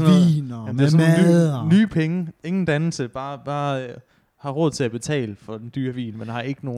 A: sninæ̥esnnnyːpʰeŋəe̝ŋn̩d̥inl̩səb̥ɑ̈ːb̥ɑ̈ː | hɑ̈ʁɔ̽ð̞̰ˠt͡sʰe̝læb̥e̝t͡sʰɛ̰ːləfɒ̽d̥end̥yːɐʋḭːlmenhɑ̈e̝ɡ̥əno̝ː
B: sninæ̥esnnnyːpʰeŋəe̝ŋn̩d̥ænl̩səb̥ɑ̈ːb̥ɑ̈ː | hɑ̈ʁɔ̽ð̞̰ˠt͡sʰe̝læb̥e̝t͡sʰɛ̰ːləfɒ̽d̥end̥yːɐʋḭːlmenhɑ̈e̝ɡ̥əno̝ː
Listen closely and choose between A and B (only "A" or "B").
B